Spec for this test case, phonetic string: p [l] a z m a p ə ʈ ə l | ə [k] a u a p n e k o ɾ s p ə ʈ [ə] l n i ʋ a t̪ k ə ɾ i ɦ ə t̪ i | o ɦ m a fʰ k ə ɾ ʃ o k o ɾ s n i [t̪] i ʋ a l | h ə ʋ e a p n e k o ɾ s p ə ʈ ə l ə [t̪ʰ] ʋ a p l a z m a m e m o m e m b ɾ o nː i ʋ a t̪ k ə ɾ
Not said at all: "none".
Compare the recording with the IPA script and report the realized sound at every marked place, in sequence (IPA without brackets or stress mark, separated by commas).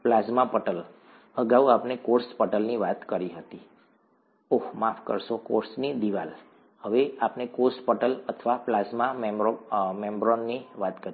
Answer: l, ɡ, ə, d̪, t̪ʰ